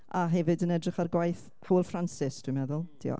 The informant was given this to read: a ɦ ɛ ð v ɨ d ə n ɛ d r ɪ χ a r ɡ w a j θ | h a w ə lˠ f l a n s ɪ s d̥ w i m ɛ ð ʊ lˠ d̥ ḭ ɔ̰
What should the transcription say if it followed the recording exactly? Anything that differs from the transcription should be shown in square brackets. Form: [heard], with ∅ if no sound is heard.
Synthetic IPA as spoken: a ɦ ɛ [∅] v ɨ d ə n ɛ d r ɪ χ a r ɡ w a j θ | h a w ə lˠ f [r] a n s ɪ s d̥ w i m ɛ ð ʊ lˠ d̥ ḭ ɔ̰